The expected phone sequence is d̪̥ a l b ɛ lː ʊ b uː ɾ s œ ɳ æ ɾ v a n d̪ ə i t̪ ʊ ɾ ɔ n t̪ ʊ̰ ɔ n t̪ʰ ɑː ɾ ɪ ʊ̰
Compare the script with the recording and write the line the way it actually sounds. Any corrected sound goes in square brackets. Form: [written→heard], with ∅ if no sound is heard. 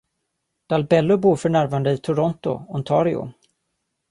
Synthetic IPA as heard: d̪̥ a l b ɛ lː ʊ b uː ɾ [s→f] œ ɳ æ ɾ v a n d̪ ə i [t̪→t̪ʰ] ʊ ɾ ɔ n t̪ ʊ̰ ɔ n t̪ʰ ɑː ɾ ɪ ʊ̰